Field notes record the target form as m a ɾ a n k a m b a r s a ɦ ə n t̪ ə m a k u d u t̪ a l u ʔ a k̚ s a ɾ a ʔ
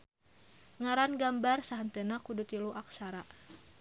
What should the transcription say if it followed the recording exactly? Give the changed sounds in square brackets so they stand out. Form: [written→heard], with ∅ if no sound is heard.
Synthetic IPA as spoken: [m→ŋ] a ɾ a n [k→ɡ] a m b a r s a ɦ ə n t̪ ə [m→n] a k u d u t̪ [a→i] l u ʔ a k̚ s a ɾ a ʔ